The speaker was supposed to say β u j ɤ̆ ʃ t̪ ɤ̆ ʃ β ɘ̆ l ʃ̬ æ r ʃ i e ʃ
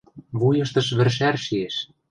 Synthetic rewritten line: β u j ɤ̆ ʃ t̪ ɤ̆ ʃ β ɘ̆ r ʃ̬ æ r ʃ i e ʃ